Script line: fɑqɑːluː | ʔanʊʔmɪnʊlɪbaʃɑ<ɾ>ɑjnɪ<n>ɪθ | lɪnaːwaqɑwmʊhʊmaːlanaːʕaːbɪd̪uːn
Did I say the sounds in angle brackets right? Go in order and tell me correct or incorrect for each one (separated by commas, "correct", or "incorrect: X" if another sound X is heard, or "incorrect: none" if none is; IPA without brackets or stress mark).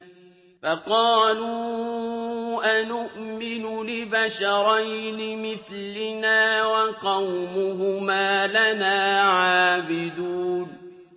correct, incorrect: m